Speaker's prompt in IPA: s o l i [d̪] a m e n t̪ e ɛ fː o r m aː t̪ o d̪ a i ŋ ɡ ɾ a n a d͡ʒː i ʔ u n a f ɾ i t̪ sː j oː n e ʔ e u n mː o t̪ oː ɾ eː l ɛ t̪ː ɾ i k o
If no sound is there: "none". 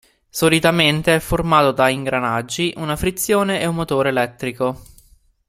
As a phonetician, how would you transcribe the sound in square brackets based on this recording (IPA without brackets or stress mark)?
t̪